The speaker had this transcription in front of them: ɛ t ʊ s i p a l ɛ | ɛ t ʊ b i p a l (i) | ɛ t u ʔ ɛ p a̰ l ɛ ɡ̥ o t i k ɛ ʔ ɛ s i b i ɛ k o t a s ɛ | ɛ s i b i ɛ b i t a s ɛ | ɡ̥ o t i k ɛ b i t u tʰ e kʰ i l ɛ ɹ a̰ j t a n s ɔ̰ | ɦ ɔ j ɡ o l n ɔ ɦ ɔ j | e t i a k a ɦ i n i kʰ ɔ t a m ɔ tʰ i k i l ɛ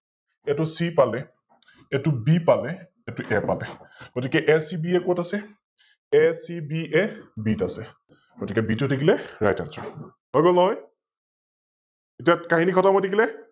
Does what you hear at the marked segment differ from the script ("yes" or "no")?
yes